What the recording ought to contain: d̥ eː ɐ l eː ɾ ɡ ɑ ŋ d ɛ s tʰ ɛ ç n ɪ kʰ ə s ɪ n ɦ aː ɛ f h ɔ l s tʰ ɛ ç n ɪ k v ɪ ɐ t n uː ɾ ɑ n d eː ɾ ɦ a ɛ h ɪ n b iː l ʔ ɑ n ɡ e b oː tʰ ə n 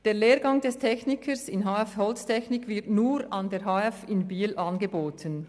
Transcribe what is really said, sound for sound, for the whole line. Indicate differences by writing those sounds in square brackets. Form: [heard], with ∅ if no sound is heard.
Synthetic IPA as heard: d̥ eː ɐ l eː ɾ ɡ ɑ ŋ d ɛ s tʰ ɛ ç n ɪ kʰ ə s ɪ n ɦ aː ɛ f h ɔ l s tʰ ɛ ç n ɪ k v ɪ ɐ t n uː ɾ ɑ n d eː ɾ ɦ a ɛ [f] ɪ n b iː l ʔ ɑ n ɡ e b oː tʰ ə n